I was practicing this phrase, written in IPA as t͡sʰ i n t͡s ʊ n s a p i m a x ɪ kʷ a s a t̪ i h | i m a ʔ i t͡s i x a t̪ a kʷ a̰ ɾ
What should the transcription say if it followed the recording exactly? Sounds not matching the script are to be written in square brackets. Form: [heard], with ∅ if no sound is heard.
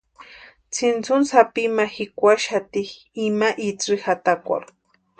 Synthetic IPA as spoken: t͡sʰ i n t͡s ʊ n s a p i m a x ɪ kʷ a [ʃ] a t̪ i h | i m a ʔ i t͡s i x a t̪ a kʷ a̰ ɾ